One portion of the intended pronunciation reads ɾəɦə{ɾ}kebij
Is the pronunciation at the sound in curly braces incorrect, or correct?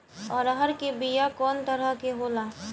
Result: correct